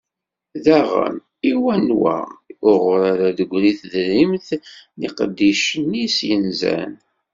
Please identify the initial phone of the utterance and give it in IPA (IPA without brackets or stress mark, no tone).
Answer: ð